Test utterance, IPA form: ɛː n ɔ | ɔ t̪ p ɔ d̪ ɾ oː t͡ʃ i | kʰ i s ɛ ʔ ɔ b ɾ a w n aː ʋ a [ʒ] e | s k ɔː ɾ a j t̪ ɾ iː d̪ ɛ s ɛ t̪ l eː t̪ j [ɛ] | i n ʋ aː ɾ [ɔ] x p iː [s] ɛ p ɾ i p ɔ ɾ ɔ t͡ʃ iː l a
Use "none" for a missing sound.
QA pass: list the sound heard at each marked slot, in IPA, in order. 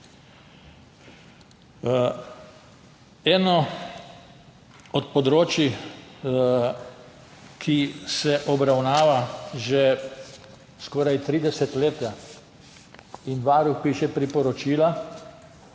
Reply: ʒ, a, u, ʃ

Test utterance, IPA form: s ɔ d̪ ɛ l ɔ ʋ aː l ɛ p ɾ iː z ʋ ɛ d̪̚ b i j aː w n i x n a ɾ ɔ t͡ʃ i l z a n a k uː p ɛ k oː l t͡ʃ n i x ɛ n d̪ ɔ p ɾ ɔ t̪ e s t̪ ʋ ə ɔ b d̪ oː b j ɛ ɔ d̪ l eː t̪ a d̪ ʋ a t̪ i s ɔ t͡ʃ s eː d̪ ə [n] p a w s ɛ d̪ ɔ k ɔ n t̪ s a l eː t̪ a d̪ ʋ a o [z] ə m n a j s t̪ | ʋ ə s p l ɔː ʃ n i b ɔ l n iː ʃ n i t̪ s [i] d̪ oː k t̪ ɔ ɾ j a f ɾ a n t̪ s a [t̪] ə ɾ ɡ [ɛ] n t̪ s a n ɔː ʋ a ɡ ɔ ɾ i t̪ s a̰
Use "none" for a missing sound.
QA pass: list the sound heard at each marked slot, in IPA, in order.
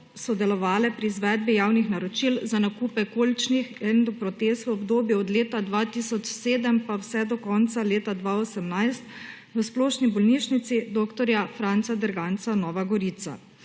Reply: m, s, i, d̪, a

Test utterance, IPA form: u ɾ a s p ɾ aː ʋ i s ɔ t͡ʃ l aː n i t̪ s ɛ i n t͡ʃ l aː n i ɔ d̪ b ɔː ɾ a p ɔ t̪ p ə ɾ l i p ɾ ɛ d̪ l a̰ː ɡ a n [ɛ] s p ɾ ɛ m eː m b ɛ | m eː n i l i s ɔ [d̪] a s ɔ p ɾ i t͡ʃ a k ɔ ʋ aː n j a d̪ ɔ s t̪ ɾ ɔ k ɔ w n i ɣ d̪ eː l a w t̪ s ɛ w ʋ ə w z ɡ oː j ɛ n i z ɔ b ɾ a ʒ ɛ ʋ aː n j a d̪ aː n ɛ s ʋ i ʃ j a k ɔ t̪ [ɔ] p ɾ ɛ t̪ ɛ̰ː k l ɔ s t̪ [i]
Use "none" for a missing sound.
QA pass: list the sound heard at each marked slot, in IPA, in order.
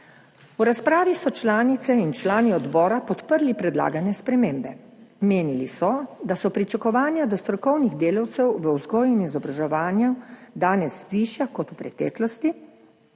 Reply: ɛ, d̪, u, i

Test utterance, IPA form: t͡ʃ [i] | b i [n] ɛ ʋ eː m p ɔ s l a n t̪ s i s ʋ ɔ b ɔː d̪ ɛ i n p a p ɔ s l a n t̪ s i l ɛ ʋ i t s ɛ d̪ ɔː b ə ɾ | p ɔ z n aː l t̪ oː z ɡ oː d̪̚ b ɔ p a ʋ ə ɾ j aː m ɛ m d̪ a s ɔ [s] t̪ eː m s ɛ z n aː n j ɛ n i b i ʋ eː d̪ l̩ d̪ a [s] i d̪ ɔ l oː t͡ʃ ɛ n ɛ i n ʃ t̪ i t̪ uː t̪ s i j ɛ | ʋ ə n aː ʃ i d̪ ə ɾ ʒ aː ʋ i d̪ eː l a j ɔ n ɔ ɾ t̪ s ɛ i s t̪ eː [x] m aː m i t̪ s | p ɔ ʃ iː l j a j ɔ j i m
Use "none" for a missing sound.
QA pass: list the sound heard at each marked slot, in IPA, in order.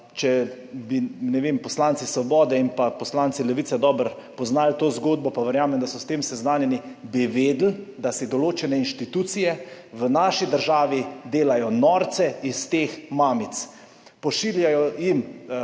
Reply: ɛ, n, s, s, x

